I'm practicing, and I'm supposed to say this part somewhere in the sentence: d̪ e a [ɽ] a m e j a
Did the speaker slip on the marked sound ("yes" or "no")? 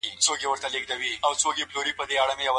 no